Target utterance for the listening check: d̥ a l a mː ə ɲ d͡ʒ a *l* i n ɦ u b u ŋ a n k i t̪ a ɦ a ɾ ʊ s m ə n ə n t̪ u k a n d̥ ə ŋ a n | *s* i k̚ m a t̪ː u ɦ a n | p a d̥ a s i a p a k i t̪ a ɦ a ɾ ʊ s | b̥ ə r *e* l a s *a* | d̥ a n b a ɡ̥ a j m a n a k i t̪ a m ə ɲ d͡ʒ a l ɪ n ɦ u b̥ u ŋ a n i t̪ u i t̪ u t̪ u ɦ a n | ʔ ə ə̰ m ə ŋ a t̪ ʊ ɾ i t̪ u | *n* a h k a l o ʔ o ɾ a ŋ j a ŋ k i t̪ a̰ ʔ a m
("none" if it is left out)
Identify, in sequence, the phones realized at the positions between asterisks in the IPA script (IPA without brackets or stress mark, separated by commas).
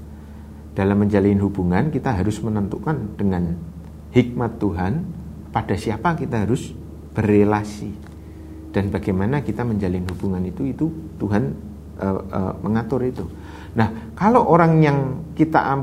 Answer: l, h, e, i, n